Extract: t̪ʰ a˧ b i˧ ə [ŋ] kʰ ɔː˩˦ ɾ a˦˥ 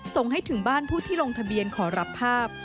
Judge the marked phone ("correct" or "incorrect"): incorrect